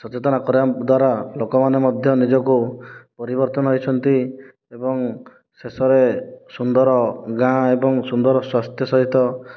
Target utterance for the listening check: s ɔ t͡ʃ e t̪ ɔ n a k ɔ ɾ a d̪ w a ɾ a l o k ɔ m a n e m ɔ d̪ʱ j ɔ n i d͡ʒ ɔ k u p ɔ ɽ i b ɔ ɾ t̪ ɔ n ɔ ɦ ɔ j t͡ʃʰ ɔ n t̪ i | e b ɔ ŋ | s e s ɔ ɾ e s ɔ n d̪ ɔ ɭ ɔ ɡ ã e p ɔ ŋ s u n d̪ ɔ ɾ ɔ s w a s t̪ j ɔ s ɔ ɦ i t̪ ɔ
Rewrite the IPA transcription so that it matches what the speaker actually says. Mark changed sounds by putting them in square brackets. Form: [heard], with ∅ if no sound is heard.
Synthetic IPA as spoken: s ɔ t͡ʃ e t̪ ɔ n a k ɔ ɾ a d̪ w a ɾ a l o k ɔ m a n e m ɔ d̪ʱ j ɔ n i d͡ʒ ɔ k u p ɔ [ɾ] i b ɔ ɾ t̪ ɔ n ɔ ɦ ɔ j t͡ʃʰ ɔ n t̪ i | e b ɔ ŋ | s e s ɔ ɾ e s [u] n d̪ ɔ [ɾ] ɔ ɡ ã e [b] ɔ ŋ s u n d̪ ɔ ɾ ɔ s w a s t̪ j ɔ s ɔ ɦ i t̪ ɔ